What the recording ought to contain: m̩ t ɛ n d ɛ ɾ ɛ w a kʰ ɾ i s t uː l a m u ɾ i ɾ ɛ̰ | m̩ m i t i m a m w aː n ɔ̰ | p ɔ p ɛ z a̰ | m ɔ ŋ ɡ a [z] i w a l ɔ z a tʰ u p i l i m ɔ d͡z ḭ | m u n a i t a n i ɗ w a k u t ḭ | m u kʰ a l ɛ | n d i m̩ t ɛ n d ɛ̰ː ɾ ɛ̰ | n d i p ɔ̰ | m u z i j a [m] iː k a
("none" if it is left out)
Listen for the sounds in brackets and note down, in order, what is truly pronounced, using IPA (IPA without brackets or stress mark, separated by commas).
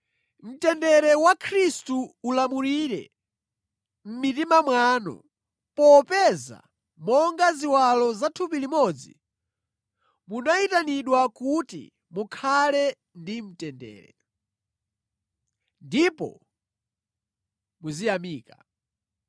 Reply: z, m